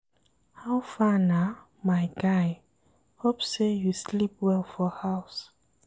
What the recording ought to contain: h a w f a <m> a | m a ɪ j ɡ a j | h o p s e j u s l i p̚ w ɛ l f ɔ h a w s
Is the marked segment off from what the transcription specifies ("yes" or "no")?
yes